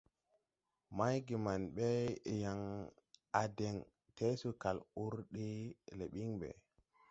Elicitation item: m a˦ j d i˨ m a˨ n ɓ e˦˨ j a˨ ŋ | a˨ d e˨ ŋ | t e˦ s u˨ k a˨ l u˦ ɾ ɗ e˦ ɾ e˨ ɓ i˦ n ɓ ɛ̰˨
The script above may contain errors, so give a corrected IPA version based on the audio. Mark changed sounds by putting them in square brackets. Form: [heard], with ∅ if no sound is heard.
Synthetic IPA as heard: m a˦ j [ɡ] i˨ m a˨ n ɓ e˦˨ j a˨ ŋ | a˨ d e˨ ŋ | t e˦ s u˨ k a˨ l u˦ ɾ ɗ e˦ [l] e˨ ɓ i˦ [ŋ] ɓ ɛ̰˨

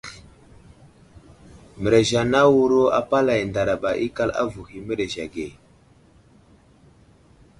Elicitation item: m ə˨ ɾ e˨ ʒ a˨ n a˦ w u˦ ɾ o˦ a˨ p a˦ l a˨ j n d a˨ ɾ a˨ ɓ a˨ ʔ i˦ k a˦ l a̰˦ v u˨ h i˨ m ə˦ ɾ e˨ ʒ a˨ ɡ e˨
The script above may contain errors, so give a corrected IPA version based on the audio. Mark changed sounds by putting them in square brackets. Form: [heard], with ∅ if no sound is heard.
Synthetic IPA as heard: m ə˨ ɾ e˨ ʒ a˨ n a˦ w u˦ ɾ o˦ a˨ p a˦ l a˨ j n d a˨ ɾ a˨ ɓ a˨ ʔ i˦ k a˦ l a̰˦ v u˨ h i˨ m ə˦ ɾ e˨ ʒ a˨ ɡ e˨

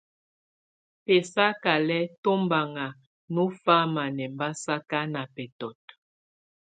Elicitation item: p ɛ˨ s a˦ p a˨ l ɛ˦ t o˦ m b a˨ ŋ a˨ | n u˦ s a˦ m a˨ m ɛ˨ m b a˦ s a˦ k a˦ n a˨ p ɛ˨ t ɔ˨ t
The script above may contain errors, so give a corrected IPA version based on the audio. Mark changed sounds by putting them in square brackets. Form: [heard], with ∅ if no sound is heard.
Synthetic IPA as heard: p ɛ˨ s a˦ [k] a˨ l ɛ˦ t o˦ m b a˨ ŋ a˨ | n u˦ [f] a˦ m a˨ [n] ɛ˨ m b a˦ s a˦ k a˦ n a˨ p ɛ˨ t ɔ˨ t

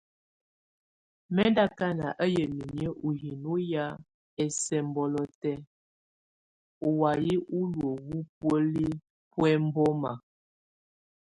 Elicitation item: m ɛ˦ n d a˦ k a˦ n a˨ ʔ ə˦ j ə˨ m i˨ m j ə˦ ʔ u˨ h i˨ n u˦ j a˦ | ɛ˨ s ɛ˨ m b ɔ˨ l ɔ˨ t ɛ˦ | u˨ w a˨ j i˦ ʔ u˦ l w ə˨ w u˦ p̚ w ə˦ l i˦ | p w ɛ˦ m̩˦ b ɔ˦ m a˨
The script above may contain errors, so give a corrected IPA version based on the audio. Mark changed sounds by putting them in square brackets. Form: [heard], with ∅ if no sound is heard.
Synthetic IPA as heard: m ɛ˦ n d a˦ k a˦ n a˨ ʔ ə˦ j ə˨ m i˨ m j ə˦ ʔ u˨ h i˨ n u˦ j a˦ | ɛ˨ s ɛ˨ m b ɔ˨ l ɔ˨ t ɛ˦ | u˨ w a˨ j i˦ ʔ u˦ l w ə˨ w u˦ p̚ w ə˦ l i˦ | p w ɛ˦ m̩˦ b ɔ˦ m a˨

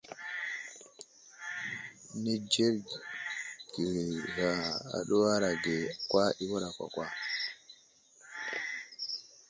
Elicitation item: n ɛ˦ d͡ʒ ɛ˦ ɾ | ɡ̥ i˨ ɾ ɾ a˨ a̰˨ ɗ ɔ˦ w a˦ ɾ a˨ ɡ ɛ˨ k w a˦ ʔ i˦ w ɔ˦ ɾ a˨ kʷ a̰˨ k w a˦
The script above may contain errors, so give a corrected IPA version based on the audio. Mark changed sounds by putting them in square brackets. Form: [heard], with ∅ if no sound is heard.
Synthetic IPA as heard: n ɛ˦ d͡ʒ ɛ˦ ɾ | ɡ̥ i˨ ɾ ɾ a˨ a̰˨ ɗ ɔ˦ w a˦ ɾ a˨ ɡ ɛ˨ k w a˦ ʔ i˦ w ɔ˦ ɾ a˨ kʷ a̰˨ k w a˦

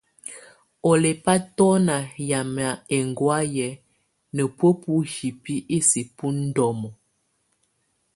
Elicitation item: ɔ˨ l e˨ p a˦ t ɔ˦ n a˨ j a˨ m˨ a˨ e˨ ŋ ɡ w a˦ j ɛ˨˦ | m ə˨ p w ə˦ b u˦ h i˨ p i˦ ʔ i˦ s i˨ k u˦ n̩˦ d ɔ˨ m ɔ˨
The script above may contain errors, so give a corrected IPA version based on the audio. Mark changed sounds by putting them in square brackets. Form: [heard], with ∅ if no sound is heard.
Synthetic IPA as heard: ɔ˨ l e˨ p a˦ t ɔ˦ n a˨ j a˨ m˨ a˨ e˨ ŋ ɡ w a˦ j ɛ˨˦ | [n] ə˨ p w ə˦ [p] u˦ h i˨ p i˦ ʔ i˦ s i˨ [p] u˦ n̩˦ d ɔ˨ m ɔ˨

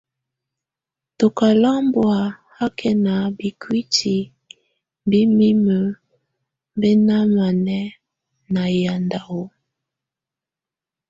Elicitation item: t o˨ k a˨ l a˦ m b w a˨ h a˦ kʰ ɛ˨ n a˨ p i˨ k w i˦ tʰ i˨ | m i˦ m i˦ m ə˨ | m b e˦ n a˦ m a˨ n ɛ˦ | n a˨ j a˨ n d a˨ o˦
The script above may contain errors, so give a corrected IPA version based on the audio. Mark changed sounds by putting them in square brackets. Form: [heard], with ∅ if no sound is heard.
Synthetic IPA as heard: t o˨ k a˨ l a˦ m b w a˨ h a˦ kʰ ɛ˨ n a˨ [b] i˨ k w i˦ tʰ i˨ | [b] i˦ m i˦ m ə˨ | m b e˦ n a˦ m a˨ n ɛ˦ | n a˨ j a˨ n d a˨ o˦

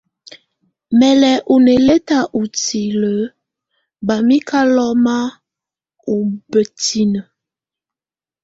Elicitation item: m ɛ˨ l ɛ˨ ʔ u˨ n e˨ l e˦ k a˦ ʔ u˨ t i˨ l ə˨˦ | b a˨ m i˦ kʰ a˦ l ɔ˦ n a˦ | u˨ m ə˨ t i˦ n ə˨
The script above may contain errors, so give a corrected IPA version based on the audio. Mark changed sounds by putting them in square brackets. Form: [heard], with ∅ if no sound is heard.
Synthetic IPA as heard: m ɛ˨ l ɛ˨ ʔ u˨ n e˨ l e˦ [t] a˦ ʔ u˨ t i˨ l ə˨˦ | b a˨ m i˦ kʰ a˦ l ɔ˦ [m] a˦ | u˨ [b] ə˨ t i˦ n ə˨

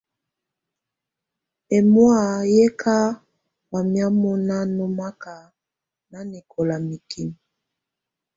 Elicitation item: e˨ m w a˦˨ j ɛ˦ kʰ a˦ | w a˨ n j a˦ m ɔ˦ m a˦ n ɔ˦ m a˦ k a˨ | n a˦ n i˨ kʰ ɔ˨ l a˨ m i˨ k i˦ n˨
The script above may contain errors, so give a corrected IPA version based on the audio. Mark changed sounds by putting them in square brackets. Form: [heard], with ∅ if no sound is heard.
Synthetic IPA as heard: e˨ m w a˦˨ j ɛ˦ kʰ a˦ | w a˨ [m] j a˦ m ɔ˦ [n] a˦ n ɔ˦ m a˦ k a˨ | n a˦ n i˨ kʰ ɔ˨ l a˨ m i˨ k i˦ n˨

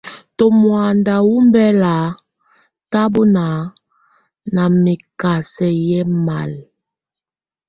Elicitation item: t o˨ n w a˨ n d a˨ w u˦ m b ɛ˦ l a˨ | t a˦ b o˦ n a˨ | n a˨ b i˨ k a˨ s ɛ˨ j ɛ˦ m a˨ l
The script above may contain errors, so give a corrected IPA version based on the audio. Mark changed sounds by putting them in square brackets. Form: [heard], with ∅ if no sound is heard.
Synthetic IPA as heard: t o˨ [m] w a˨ n d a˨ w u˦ m b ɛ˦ l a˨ | t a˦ b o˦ n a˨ | n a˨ [m] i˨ k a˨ s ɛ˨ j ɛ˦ m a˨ l

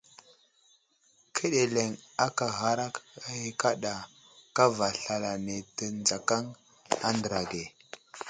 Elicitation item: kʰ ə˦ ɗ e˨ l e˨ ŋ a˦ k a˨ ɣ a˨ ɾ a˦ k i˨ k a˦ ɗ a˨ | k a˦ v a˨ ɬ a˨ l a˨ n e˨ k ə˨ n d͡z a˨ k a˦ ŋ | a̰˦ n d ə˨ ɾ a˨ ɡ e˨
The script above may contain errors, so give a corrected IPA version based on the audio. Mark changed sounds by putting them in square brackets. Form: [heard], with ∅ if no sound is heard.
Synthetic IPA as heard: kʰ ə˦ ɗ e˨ l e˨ ŋ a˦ k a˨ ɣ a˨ ɾ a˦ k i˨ k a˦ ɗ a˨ | k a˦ v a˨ ɬ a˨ l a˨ n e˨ [t] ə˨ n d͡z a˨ k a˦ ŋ | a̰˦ n d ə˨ ɾ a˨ ɡ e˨

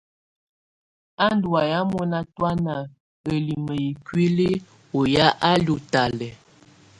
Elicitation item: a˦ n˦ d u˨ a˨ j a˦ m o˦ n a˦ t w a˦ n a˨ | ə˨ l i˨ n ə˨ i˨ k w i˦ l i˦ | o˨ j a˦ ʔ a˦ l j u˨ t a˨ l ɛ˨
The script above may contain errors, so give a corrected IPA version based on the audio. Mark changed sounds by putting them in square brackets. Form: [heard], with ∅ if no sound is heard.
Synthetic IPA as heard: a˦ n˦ d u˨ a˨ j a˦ m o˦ n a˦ t w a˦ n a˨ | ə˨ l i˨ [m] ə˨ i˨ k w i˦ l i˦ | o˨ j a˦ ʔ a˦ l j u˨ t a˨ l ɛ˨

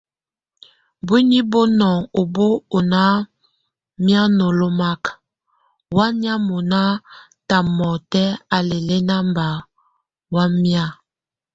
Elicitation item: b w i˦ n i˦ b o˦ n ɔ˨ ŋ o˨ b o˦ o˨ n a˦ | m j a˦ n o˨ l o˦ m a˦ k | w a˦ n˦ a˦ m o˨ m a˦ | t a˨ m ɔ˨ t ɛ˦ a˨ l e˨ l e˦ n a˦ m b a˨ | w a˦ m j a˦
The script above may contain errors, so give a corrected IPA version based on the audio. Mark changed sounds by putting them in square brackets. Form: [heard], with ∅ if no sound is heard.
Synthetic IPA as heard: b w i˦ n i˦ b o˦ n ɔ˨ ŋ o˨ b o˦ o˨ n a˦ | m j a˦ n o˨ l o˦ m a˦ k | w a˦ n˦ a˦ m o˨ [n] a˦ | t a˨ m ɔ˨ t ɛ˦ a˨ l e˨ l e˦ n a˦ m b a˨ | w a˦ m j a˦

